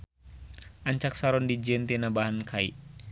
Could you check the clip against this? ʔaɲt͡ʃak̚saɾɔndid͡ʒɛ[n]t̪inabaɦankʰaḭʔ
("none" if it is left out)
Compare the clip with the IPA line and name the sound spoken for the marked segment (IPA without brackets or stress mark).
n